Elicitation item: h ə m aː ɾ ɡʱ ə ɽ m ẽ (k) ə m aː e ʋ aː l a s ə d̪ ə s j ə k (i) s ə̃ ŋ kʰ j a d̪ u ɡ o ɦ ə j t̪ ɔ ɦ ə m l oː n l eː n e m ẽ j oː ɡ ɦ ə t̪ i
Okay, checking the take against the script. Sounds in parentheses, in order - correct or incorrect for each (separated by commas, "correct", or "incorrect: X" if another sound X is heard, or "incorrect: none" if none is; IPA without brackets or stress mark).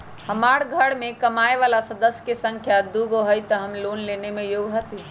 correct, incorrect: e